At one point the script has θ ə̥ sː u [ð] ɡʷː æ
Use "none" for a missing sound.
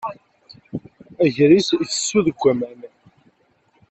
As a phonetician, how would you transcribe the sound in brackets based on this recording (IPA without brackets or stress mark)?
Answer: ð